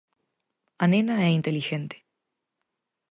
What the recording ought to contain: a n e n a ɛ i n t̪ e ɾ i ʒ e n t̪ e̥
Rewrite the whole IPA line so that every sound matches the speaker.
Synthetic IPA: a n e n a ɛ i n t̪ e l i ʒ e n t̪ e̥

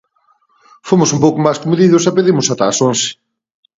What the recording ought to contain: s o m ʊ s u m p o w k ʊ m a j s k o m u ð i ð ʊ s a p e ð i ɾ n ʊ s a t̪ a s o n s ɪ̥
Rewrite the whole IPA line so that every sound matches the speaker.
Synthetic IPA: f o m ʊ s u m p o w k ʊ m a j s k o m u ð i ð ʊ s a p e ð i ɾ m ʊ s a t̪ a s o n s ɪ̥

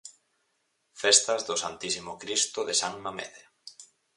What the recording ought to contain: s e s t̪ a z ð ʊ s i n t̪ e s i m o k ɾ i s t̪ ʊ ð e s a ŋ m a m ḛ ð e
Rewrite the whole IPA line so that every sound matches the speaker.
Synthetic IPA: f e s t̪ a z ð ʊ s a n t̪ i s i m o k ɾ i s t̪ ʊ ð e s a ŋ m a m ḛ ð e

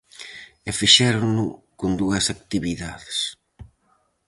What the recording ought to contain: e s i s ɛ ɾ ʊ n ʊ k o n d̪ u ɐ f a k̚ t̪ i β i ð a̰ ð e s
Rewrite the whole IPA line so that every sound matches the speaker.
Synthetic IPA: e f i ʃ ɛ ɾ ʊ n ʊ k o n d̪ u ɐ s a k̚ t̪ i β i ð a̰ ð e s

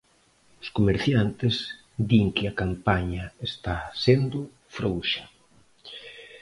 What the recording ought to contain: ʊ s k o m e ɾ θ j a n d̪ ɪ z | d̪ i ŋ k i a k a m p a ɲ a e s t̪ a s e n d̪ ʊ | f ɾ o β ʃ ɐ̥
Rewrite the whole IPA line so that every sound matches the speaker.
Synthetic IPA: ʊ s k o m e ɾ θ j a n t̪ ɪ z | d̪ i ŋ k ɪ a k a m p a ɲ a e s t̪ a s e n d̪ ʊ | f ɾ o w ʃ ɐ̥

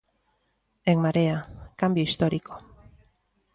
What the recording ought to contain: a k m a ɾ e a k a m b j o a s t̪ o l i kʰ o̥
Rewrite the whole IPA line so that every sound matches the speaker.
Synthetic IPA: e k m a ɾ e a k a m b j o i s t̪ o ɾ i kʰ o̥

